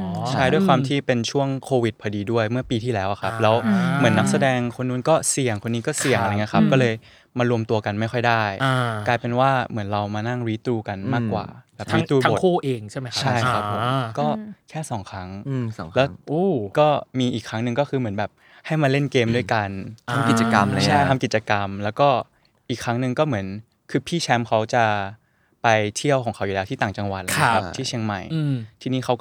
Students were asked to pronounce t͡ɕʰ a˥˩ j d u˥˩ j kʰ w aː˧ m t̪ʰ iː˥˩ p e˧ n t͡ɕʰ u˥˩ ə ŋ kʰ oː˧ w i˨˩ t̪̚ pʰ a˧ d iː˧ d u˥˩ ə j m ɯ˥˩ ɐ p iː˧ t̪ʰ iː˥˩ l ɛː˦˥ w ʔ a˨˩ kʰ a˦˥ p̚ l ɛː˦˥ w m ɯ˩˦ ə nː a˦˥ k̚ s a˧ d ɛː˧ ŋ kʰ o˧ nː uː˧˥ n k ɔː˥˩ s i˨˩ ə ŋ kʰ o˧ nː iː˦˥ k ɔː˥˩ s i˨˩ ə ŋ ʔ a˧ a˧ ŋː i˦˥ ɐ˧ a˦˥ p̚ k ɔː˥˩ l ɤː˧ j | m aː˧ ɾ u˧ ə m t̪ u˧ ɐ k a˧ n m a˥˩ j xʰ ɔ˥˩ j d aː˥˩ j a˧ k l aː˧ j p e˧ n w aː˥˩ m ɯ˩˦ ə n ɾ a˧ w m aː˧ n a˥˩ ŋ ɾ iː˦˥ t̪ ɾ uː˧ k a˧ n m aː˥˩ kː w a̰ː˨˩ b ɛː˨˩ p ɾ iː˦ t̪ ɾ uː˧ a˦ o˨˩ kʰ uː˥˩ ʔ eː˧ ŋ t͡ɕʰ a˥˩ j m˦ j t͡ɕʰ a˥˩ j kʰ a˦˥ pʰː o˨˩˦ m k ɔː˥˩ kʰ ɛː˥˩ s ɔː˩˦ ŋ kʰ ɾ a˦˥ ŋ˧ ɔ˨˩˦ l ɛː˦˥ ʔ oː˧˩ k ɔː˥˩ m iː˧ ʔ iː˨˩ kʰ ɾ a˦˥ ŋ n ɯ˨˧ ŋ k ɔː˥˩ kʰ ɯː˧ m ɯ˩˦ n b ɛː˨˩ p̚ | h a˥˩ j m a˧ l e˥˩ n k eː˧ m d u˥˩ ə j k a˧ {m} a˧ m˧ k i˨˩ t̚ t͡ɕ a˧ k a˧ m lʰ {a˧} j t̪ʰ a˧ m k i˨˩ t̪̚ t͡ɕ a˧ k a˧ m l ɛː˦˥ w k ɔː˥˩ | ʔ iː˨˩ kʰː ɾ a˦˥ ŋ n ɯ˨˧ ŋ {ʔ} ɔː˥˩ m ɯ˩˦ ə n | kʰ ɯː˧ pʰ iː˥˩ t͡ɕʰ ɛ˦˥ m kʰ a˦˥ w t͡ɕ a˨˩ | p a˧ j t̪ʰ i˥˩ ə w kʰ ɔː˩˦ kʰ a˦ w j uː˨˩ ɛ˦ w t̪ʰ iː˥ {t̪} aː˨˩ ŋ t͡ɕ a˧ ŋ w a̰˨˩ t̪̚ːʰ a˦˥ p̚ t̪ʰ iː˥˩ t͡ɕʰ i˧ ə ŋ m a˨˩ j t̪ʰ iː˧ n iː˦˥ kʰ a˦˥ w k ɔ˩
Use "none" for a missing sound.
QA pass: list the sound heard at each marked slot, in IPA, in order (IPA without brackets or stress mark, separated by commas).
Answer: n, a˥˩, k, t̪